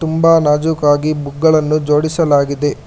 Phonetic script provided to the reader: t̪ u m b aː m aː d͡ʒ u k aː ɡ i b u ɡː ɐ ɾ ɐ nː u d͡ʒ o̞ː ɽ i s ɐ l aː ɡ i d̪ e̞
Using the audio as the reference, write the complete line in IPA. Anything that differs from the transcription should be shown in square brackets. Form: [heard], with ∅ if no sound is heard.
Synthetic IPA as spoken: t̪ u m b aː [n] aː d͡ʒ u k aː ɡ i b u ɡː ɐ [ɭ] ɐ nː u d͡ʒ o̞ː ɽ i s ɐ l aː ɡ i d̪ e̞